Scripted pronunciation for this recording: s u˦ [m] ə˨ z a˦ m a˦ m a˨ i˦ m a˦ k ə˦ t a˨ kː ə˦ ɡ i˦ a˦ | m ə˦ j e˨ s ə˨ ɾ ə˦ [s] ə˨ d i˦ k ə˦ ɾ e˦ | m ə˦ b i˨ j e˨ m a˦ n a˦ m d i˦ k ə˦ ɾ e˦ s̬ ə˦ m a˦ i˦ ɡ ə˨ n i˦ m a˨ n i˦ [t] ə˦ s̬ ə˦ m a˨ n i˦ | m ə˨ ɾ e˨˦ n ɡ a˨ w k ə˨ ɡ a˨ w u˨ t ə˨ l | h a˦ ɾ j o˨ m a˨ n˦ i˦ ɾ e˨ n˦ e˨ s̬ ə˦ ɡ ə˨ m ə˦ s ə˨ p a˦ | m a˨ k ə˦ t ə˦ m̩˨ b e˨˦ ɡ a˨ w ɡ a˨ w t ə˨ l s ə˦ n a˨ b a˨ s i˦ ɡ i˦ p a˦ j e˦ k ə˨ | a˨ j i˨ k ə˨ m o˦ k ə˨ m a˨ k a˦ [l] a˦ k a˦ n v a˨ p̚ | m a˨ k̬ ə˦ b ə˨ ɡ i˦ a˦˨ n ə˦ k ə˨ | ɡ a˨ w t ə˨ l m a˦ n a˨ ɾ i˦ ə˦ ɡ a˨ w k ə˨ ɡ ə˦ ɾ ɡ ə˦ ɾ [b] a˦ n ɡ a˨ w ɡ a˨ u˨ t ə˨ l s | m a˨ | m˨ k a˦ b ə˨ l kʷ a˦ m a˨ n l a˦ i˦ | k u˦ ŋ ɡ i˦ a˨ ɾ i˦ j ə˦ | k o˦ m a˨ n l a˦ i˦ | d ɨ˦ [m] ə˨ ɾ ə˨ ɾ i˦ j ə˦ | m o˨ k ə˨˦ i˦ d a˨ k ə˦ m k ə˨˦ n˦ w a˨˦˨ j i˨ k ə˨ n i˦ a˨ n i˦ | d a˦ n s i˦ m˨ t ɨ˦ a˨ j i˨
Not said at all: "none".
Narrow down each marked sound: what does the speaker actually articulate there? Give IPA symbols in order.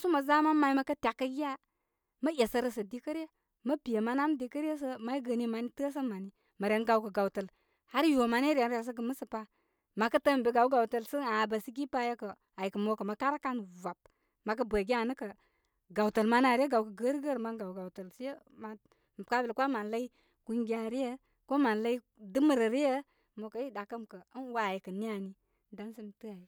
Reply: m, s, t, ɾ, m, m

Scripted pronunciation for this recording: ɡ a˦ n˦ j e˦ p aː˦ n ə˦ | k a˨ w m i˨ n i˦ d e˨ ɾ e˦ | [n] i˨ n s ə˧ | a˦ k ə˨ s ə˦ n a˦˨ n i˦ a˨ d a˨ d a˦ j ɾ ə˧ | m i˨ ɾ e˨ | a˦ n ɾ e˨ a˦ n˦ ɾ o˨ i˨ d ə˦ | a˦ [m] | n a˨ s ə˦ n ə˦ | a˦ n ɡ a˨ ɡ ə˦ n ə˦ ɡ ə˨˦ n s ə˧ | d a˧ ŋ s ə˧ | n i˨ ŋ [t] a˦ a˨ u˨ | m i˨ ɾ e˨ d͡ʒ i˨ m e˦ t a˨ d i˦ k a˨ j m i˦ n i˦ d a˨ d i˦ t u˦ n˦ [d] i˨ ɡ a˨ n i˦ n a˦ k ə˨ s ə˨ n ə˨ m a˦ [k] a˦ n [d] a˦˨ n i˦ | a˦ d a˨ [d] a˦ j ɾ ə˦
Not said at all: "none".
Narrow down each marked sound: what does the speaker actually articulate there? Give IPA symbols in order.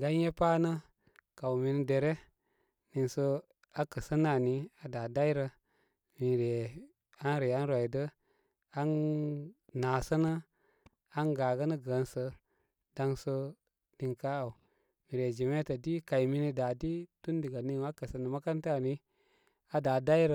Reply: n, n, k, d, k, t, d

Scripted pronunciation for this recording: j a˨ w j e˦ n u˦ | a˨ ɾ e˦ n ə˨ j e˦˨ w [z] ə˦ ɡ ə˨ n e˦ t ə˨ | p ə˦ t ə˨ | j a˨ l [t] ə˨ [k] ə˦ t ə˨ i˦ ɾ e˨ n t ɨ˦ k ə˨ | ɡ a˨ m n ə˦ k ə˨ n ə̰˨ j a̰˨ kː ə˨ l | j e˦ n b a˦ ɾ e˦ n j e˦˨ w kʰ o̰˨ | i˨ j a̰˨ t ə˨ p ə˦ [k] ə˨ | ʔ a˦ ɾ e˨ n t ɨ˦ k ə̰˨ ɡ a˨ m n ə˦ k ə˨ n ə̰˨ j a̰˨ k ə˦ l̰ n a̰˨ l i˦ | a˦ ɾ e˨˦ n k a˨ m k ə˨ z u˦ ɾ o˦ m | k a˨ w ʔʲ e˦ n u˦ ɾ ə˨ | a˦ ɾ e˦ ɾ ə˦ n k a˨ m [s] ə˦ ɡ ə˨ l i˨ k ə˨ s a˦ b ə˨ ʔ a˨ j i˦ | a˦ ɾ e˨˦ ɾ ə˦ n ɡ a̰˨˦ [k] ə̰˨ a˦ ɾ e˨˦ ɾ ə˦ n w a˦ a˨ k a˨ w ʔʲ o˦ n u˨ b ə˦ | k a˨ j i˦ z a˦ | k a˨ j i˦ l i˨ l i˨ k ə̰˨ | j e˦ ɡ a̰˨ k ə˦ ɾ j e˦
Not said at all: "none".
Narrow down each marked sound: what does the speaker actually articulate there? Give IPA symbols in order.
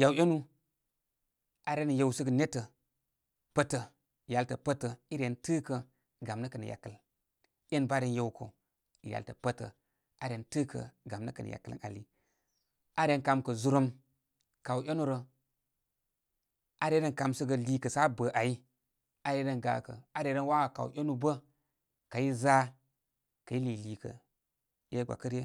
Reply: s, t, p, t, s, k

